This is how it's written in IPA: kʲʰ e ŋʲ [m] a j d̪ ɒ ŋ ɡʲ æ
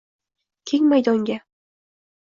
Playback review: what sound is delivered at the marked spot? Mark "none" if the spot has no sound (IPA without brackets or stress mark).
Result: m